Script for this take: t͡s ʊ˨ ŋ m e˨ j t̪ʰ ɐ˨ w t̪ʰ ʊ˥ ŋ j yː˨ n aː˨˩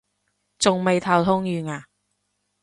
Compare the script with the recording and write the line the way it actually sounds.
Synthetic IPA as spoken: t͡s ʊ˨ ŋ m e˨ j t̪ʰ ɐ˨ w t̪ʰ ʊ˥ ŋ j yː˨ ŋ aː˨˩